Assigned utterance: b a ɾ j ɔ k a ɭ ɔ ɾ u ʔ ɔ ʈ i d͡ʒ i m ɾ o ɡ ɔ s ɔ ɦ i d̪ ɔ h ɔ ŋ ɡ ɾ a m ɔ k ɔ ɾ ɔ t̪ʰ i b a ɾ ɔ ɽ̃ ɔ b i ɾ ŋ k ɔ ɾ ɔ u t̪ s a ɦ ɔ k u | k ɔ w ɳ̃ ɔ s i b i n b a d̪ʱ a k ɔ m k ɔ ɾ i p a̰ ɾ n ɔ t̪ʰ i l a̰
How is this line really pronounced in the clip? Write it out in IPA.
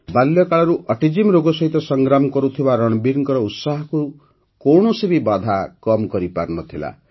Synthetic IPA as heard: b a l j ɔ k a ɭ ɔ ɾ u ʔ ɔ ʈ i d͡ʒ i m ɾ o ɡ ɔ s ɔ ɦ i t̪ ɔ s ɔ ŋ ɡ ɾ a m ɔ k ɔ ɾ u t̪ʰ i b a ɾ ɔ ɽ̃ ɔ b i ɾ ŋ k ɔ ɾ ɔ u t̪ s a ɦ ɔ k u | k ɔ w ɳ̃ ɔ s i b i b a d̪ʱ a k ɔ m k ɔ ɾ i p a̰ ɾ n ɔ t̪ʰ i l a̰